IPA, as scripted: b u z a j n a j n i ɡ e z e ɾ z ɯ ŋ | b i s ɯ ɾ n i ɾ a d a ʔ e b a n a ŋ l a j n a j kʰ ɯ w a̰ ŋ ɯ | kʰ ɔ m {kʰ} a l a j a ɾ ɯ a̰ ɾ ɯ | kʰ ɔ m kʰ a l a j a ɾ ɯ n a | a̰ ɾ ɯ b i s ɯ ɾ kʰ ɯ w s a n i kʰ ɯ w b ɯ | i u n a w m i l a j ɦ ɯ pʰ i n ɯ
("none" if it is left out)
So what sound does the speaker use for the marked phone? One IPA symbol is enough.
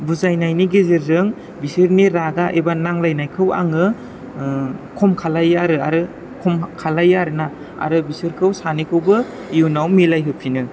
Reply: kʰ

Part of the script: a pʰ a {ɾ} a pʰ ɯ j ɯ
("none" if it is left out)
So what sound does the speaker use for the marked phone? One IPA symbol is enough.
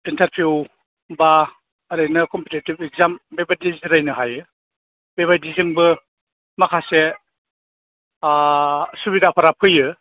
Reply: ɾ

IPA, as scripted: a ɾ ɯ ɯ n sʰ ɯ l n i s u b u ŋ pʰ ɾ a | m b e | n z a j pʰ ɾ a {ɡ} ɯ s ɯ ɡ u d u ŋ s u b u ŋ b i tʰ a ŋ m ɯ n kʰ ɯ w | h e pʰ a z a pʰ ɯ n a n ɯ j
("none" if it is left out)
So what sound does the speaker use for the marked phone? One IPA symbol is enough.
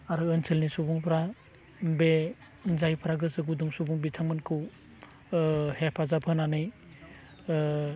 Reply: ɡ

